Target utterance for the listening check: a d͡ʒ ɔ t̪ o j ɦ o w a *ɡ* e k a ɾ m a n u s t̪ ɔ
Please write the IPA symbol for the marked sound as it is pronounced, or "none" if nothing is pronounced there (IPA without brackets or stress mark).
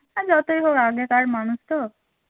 ɡ